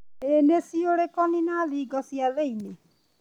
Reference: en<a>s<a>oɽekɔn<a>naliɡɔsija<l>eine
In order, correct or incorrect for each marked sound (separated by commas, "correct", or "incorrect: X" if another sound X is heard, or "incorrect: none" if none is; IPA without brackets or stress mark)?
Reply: incorrect: e, incorrect: i, incorrect: i, correct